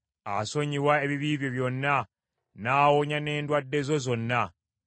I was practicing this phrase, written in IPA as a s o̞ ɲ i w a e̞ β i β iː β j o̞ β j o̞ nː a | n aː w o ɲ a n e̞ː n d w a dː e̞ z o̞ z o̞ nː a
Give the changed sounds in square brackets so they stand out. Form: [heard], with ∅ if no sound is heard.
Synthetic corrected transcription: a s o̞ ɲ i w a e̞ β i β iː β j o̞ β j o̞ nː a | n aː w o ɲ a n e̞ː n d w a dː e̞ z o̞ z o̞ nː a